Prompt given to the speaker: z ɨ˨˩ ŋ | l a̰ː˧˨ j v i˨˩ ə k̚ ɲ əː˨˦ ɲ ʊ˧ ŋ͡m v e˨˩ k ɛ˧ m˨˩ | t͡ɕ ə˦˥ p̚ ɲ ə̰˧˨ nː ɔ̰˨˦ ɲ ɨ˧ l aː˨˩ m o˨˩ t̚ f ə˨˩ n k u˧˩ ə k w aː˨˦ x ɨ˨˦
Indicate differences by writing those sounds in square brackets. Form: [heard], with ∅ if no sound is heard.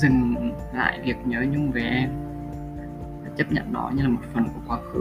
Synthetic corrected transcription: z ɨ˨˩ ŋ | l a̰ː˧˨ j v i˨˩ ə k̚ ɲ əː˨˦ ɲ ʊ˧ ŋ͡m v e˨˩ [ʔ] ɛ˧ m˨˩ | t͡ɕ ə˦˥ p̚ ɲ ə̰˧˨ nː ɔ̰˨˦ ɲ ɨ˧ l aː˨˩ m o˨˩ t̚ f ə˨˩ n k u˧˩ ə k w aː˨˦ x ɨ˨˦